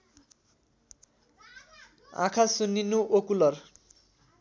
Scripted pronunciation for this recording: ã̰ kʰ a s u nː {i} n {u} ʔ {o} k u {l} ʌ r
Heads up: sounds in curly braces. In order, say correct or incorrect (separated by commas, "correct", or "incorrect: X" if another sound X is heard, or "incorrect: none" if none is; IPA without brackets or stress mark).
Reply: correct, correct, correct, correct